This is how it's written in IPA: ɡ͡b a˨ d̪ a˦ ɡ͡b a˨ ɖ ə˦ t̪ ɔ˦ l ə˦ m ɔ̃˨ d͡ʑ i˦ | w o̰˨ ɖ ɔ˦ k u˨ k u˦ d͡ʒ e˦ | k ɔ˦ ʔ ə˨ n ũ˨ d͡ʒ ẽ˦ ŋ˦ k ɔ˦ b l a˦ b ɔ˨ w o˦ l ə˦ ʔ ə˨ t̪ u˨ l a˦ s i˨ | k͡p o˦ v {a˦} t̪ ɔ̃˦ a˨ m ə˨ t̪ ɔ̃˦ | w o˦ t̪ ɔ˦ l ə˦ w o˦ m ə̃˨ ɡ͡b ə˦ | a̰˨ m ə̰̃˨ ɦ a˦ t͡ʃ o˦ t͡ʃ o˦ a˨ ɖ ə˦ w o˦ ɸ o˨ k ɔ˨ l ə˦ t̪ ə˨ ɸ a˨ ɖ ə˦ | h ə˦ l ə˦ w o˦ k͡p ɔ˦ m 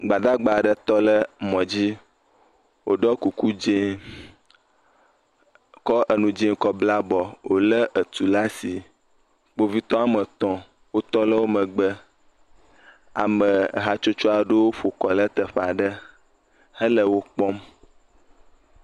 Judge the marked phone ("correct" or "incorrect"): incorrect